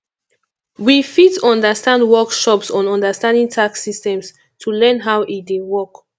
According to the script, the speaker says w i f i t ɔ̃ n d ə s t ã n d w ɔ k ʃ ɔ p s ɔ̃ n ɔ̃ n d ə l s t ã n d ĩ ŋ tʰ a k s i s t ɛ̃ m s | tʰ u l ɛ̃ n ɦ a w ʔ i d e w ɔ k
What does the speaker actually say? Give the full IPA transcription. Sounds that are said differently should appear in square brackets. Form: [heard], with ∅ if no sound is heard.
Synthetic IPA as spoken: w i f i t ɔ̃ n d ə s t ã n d w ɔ k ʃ ɔ p s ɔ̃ n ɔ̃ n d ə [∅] s t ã n d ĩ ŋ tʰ a k s i s t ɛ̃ m s | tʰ u l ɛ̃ n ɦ a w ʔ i d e w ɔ k